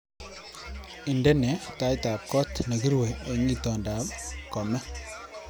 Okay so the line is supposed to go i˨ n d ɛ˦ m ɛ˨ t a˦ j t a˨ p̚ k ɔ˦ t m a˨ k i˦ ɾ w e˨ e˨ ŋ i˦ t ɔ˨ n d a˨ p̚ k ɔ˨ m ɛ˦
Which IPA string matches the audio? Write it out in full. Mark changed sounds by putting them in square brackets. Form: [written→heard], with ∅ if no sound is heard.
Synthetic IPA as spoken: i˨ n d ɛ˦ [m→n] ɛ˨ t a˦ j t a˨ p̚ k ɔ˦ t [m→n] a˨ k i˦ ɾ w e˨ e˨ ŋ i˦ t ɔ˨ n d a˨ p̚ k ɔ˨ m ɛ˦

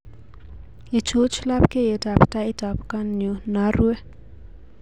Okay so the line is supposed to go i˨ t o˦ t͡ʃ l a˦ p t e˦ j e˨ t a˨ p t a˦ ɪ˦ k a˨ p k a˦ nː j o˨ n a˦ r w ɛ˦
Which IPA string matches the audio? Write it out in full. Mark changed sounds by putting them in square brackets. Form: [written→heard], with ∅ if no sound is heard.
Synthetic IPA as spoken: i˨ [t→t͡ʃ] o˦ t͡ʃ l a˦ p [t→k] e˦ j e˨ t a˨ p t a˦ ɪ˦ [k→t] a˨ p k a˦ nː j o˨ n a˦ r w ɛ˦

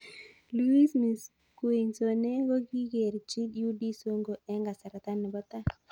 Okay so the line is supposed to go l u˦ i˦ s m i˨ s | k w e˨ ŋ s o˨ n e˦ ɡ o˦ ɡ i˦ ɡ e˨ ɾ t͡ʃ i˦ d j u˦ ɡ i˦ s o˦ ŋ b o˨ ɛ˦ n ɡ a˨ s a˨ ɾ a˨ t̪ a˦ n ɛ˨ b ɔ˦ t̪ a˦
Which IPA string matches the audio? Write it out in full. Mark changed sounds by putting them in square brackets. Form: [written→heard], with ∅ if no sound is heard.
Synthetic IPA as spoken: l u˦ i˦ s m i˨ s | k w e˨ [ŋ→ɲ] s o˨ n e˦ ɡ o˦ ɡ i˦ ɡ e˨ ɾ t͡ʃ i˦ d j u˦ [ɡ→d] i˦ s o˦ ŋ [b→ɡ] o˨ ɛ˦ [n→ŋ] ɡ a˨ s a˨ ɾ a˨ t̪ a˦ n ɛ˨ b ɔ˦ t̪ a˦

